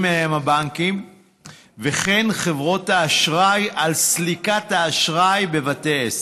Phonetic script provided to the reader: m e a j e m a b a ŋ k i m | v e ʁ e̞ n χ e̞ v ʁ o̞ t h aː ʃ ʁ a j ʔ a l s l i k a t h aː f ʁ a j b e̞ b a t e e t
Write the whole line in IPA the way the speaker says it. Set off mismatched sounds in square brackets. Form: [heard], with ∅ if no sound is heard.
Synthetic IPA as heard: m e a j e m a b a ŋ k i m | v e [χ] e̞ n χ e̞ v ʁ o̞ t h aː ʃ ʁ a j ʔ a l s l i k a t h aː [ʃ] ʁ a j b e̞ [v] a t e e [s]